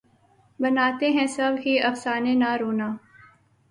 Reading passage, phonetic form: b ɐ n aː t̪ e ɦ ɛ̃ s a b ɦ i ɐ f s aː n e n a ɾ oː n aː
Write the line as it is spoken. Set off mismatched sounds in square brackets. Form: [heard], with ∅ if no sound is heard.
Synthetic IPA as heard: b ɐ n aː t̪ e ɦ ɛ̃ s [ɐ] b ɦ i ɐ f s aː n e n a ɾ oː n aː